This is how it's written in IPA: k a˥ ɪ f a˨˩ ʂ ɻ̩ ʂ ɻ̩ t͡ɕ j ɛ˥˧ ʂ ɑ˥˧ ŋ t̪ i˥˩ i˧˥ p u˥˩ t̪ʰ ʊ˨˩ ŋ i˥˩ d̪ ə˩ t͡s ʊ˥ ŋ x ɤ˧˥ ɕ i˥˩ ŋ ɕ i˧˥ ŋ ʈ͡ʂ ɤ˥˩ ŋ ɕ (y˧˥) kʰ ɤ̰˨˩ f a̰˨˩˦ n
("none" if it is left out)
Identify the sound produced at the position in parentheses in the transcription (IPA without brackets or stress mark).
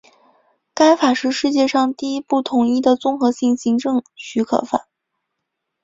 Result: y˧˥